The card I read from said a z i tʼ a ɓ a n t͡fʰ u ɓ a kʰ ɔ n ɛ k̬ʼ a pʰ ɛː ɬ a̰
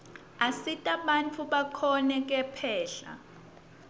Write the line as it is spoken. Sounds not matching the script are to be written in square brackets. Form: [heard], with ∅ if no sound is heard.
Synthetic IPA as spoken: a [s] i tʼ a ɓ a n t͡fʰ u ɓ a kʰ ɔ n ɛ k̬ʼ [ɛ] pʰ ɛː ɬ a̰